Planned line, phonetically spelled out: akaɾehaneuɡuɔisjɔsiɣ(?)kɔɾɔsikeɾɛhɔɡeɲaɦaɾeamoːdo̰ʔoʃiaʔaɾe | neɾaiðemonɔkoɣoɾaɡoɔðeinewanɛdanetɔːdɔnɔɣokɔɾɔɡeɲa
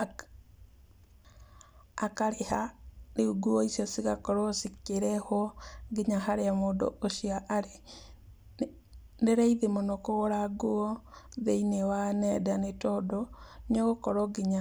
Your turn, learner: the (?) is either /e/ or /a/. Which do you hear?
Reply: a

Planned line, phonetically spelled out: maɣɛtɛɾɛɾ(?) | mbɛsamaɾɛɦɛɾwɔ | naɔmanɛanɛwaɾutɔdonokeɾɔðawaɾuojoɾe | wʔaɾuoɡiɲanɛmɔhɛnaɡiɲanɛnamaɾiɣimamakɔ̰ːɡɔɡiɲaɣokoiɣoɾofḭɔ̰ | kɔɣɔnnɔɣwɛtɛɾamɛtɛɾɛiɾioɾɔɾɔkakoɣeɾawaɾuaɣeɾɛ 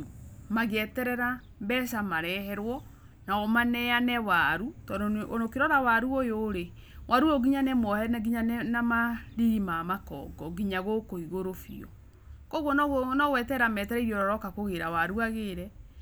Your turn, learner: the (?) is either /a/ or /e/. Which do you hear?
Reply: a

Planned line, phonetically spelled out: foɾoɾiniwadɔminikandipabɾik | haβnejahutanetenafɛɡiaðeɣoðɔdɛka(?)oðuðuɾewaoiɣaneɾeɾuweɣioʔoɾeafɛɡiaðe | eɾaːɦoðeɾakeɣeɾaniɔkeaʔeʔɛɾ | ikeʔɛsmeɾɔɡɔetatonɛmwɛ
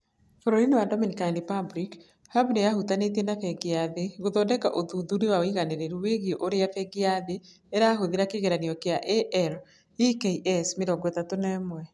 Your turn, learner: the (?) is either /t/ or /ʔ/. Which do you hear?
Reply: ʔ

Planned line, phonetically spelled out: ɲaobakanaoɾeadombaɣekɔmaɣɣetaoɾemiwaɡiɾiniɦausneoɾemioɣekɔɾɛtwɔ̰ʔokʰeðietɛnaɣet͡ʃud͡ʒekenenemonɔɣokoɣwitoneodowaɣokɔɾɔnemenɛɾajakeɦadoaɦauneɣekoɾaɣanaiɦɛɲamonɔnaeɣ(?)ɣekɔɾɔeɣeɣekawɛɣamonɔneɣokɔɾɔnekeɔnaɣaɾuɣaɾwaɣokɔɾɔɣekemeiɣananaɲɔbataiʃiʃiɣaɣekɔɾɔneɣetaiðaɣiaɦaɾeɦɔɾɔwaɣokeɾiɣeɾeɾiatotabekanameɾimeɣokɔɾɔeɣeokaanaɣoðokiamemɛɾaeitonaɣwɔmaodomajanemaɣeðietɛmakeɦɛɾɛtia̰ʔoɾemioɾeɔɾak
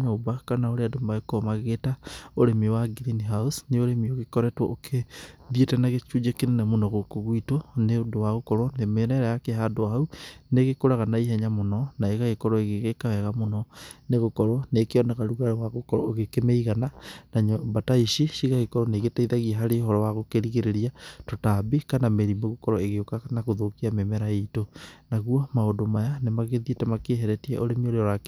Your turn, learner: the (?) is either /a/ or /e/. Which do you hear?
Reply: a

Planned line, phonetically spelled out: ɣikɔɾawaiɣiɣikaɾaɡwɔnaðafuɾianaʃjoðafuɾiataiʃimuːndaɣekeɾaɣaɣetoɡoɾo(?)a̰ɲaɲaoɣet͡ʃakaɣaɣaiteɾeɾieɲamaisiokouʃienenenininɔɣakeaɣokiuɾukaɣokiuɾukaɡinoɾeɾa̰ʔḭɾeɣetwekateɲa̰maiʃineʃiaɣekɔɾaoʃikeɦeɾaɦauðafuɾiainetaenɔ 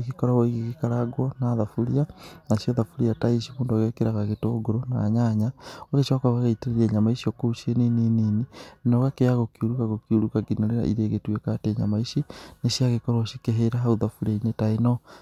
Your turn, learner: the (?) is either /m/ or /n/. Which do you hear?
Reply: n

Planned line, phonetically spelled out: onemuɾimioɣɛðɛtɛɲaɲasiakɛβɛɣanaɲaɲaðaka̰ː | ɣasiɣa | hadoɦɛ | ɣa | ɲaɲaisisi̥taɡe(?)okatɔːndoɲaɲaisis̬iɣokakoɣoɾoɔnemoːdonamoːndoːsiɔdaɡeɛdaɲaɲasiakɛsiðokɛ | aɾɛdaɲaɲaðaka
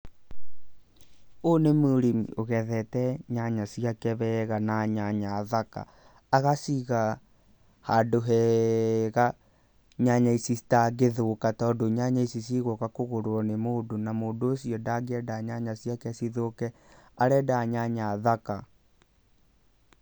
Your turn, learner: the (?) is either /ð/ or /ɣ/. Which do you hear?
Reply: ð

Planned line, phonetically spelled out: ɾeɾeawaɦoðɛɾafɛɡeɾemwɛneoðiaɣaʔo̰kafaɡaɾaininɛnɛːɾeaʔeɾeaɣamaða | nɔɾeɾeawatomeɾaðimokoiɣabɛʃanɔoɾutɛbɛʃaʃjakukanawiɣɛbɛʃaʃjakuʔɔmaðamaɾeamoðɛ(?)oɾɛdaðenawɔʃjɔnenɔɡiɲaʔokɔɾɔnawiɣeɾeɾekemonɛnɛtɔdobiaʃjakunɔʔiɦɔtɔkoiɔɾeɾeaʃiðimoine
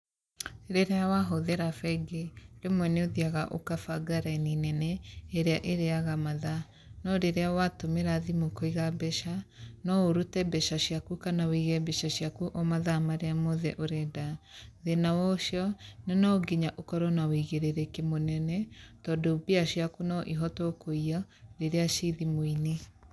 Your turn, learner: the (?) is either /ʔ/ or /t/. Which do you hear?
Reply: ʔ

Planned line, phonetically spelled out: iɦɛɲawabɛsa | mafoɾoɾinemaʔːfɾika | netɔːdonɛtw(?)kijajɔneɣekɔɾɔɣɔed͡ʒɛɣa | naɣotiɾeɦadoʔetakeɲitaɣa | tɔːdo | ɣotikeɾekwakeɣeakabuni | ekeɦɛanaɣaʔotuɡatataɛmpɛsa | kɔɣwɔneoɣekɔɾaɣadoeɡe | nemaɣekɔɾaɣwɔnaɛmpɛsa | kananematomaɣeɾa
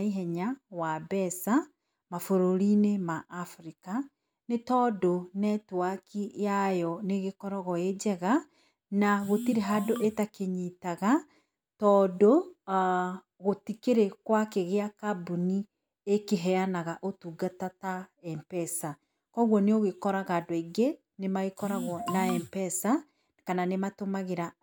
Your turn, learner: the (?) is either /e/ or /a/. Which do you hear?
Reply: a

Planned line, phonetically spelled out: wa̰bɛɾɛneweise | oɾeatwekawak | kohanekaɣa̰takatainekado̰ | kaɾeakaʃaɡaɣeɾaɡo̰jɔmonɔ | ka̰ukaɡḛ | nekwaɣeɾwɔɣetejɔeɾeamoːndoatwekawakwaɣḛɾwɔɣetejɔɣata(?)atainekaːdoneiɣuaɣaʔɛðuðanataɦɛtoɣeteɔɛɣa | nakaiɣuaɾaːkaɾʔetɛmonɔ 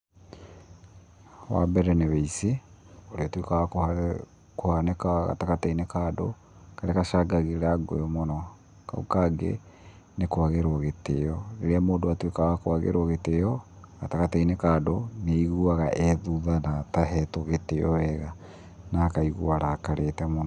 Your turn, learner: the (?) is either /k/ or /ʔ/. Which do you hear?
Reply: k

